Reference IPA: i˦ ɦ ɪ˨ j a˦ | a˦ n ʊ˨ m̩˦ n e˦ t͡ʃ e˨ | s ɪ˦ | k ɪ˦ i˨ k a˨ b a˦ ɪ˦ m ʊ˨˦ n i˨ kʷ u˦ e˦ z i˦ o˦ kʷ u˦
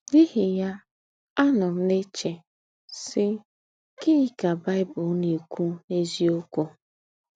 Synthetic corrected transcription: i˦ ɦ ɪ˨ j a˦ | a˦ n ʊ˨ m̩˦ n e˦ t͡ʃ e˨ | s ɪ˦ | k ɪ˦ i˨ k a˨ b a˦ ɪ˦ b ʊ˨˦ n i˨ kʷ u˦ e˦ z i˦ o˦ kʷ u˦